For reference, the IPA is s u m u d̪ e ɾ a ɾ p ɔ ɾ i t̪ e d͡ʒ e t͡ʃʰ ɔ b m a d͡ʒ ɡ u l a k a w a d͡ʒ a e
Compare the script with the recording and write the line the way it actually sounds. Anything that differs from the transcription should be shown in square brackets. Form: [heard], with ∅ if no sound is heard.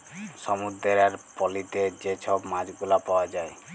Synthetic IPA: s [ɔ] m u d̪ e ɾ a ɾ p ɔ [l] i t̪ e d͡ʒ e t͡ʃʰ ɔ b m a d͡ʒ ɡ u l a [p] a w a d͡ʒ a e